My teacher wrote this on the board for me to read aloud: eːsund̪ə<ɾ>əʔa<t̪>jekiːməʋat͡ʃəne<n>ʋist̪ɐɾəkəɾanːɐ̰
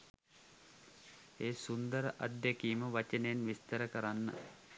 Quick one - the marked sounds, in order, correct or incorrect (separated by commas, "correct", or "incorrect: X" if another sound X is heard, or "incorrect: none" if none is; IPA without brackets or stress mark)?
correct, incorrect: d̪, correct